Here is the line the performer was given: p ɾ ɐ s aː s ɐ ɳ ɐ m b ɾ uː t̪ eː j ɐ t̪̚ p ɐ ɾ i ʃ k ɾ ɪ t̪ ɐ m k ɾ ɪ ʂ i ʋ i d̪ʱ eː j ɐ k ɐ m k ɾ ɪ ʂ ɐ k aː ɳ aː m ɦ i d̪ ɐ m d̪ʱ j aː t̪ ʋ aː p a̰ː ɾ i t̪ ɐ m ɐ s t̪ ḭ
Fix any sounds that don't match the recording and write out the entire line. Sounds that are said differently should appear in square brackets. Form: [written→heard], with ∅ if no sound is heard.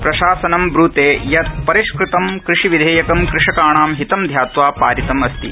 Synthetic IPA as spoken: p ɾ ɐ [s→ʃ] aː s ɐ [ɳ→n] ɐ m b ɾ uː t̪ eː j ɐ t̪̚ p ɐ ɾ i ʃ k ɾ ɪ t̪ ɐ m k ɾ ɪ ʂ i ʋ i d̪ʱ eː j ɐ k ɐ m k ɾ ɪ ʂ ɐ k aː ɳ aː m ɦ i [d̪→t̪] ɐ m d̪ʱ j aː t̪ ʋ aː p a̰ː ɾ i t̪ ɐ m ɐ s t̪ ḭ

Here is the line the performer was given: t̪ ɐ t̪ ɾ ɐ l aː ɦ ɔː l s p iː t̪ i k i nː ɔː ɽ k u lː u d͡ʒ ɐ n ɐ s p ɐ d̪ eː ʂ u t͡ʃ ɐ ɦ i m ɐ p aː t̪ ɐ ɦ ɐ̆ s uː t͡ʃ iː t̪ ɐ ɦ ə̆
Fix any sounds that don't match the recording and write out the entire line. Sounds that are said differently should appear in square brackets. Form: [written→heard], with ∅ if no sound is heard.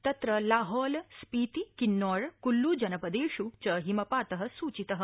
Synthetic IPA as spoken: t̪ ɐ t̪ ɾ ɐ l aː ɦ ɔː l s p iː t̪ i k i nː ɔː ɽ k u lː u d͡ʒ ɐ n ɐ [s→∅] p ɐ d̪ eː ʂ u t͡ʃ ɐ ɦ i m ɐ p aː t̪ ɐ ɦ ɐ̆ s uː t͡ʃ [iː→i] t̪ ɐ ɦ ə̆

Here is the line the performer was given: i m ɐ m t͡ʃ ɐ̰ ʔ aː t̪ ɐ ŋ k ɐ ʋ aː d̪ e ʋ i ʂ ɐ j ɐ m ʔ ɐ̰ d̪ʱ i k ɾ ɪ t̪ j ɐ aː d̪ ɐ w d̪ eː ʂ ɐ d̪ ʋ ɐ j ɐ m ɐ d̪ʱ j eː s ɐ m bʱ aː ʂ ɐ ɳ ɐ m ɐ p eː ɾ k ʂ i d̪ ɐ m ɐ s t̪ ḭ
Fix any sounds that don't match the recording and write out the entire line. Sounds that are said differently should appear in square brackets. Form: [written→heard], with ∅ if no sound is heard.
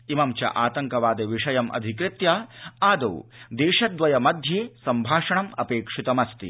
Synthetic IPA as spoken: i m ɐ m t͡ʃ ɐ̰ ʔ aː t̪ ɐ ŋ k ɐ ʋ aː d̪ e ʋ i ʂ ɐ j ɐ m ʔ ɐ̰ d̪ʱ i k ɾ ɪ t̪ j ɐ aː d̪ ɐ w d̪ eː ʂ ɐ d̪ ʋ ɐ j ɐ m ɐ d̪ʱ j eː s ɐ m bʱ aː ʂ ɐ ɳ ɐ m ɐ p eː [ɾ→∅] k ʂ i [d̪→t̪] ɐ m ɐ s t̪ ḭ

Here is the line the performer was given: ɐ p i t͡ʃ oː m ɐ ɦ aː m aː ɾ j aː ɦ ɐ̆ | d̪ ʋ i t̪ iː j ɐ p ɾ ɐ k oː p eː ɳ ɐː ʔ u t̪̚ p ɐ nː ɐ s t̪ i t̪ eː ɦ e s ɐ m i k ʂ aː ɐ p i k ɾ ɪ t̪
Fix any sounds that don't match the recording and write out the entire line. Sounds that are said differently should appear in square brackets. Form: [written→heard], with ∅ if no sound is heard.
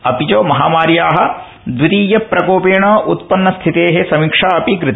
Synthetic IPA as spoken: ɐ p i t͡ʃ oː m ɐ ɦ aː m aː ɾ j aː ɦ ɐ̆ | d̪ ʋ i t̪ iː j ɐ p ɾ ɐ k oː p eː ɳ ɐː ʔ u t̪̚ p ɐ nː ɐ s [t̪→t̪ʰ] i t̪ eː ɦ e s ɐ m i k ʂ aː ɐ p i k ɾ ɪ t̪

